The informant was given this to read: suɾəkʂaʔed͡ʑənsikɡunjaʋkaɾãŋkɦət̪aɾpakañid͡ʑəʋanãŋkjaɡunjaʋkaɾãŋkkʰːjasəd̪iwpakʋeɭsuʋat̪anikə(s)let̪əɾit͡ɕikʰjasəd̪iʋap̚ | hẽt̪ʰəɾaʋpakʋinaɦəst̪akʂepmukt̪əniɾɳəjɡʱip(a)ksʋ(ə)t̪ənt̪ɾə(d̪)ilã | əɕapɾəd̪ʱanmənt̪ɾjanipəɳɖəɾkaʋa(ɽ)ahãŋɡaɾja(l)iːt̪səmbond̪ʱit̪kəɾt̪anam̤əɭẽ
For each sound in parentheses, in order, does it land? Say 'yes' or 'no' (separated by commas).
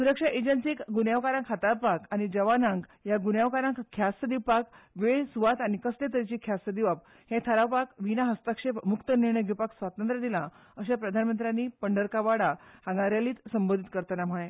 yes, yes, no, yes, yes, yes